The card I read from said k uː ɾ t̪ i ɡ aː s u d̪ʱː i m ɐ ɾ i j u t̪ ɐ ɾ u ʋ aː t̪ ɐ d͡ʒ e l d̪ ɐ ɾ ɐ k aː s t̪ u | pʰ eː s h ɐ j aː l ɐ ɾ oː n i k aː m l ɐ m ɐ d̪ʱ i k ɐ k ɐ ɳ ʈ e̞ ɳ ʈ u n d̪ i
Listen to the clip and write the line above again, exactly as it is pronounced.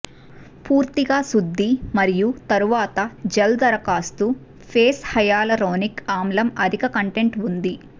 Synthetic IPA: p uː ɾ t̪ i ɡ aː s u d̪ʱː i m ɐ ɾ i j u t̪ ɐ ɾ u ʋ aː t̪ ɐ d͡ʒ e l d̪ ɐ ɾ ɐ k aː s t̪ u | pʰ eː s h ɐ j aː l ɐ ɾ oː n i k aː m l ɐ m ɐ d̪ʱ i k ɐ k ɐ ɳ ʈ e̞ ɳ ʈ u n d̪ i